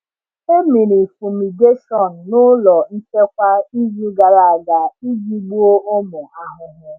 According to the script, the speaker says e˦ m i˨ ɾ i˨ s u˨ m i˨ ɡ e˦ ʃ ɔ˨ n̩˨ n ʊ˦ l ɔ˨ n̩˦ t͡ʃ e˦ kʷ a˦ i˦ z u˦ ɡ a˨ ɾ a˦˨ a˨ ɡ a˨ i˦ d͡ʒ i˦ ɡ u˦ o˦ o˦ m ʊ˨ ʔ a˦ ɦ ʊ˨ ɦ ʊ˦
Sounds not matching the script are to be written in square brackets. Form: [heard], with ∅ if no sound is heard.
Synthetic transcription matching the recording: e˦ m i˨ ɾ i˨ [f] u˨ m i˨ ɡ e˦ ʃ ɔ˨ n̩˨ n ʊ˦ l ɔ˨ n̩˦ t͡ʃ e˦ kʷ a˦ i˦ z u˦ ɡ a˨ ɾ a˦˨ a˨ ɡ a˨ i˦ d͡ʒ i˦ [ɡ͡b] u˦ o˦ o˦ m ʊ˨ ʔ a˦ ɦ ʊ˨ ɦ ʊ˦